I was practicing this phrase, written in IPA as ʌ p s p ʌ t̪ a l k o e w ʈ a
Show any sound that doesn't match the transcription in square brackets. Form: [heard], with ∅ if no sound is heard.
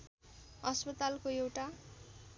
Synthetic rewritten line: ʌ [∅] s p ʌ t̪ a l k o e w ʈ a